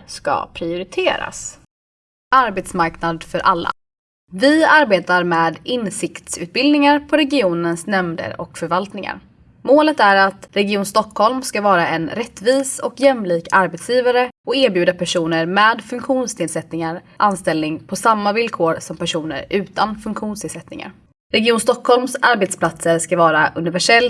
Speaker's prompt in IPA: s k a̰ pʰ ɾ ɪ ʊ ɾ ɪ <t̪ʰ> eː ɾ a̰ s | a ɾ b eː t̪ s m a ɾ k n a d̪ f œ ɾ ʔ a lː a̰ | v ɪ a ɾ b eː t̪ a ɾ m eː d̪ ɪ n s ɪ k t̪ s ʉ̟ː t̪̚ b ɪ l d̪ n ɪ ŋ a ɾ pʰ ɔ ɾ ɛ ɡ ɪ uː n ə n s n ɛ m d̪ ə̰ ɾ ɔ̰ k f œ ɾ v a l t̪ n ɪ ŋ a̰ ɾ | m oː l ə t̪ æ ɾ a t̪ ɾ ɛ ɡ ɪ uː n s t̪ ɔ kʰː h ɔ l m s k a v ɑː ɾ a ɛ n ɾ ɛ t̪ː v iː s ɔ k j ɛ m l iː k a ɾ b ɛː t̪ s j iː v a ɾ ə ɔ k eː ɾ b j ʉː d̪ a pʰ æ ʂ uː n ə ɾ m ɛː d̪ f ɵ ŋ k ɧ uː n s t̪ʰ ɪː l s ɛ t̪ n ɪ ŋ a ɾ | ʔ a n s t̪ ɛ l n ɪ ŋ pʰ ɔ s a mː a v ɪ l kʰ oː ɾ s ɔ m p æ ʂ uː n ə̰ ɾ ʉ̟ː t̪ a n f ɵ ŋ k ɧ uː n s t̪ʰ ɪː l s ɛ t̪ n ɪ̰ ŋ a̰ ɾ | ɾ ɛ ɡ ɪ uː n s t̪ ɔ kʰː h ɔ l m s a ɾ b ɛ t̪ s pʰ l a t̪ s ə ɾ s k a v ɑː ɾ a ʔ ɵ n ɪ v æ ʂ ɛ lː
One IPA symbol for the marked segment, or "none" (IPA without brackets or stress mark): t̪ʰ